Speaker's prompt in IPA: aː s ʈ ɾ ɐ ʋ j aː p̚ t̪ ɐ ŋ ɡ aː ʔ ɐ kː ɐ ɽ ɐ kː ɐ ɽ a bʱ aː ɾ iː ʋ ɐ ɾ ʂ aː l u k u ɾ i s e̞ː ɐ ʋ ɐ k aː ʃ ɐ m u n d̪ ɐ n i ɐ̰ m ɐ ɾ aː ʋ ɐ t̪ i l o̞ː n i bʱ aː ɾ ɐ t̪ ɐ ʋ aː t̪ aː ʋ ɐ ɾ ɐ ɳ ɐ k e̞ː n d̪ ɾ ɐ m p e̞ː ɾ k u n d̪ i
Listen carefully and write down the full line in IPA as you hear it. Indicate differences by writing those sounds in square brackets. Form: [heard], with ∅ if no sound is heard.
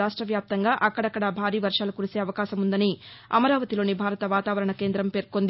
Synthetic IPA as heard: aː [ʂ] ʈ ɾ ɐ ʋ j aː p̚ t̪ ɐ ŋ ɡ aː ʔ ɐ kː ɐ ɽ ɐ kː ɐ ɽ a bʱ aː ɾ iː ʋ ɐ ɾ ʂ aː l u k u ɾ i s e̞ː ɐ ʋ ɐ k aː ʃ ɐ m u n d̪ ɐ n i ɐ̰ m ɐ ɾ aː ʋ ɐ t̪ i l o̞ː n i bʱ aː ɾ ɐ t̪ ɐ ʋ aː t̪ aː ʋ ɐ ɾ ɐ ɳ ɐ k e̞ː n d̪ ɾ ɐ m p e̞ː ɾ k [o] n d̪ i